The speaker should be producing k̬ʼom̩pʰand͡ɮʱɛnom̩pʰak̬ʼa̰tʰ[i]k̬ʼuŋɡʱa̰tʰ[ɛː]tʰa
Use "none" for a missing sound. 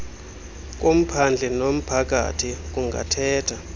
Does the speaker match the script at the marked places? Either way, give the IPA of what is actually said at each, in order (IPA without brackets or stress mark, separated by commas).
i, ɛː